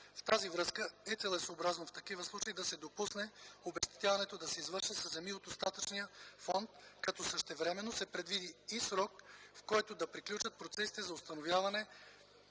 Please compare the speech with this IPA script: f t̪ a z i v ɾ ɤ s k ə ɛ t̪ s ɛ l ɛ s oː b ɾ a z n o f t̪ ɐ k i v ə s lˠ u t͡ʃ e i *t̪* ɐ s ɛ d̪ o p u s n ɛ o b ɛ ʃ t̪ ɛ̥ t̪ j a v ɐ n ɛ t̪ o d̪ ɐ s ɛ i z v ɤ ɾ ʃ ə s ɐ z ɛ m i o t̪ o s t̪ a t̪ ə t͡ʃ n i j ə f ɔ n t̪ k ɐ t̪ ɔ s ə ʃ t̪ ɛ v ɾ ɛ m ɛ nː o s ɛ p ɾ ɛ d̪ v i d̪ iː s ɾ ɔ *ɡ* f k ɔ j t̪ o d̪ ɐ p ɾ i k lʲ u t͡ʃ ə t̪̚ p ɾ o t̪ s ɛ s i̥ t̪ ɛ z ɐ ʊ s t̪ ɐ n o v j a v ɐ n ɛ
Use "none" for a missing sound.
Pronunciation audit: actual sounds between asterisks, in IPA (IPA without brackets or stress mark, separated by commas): d̪, k